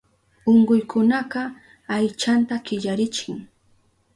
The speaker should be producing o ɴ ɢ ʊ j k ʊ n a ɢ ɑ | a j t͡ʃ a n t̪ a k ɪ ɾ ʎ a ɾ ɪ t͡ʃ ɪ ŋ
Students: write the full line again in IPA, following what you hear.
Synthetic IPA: o ɴ ɢ ʊ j k ʊ n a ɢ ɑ | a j t͡ʃ a n t̪ a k ɪ ʎ a ɾ ɪ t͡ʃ ɪ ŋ